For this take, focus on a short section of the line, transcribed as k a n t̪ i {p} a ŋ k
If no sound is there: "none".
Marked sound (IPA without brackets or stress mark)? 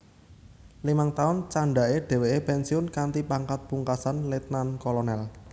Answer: p